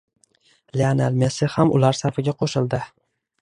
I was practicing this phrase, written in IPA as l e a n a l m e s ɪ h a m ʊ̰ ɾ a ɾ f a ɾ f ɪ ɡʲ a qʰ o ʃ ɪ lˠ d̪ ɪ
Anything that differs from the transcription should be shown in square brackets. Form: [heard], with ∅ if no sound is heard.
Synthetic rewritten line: l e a n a l m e s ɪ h a m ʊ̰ [l] a ɾ [s] a ɾ f ɪ ɡʲ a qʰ o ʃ ɪ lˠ d̪ ɪ